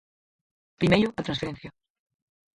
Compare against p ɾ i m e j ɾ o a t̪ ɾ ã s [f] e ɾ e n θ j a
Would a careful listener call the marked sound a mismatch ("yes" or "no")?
no